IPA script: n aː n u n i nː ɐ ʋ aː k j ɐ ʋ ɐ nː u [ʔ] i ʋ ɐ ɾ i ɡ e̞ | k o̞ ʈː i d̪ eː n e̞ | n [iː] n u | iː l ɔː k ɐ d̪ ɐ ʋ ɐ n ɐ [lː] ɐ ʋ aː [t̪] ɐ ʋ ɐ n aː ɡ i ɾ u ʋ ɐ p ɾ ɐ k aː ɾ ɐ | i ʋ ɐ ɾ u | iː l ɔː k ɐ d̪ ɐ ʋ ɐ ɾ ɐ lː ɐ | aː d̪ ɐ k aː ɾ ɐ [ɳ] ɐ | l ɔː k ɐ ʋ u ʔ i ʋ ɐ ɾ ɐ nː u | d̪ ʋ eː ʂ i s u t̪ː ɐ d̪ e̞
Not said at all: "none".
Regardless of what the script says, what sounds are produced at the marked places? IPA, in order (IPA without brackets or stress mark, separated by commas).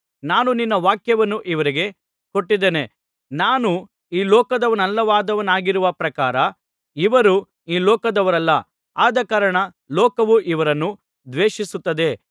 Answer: ʔ, aː, lː, d̪, ɳ